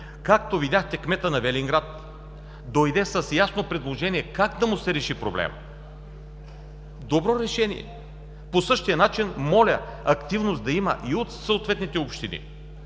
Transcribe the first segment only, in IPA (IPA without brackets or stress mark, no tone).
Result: k